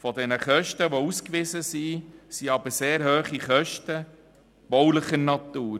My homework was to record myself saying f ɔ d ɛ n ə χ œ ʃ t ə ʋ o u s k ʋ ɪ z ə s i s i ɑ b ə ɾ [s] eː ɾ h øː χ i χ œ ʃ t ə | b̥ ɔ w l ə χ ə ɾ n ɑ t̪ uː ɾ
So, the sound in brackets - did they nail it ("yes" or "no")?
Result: yes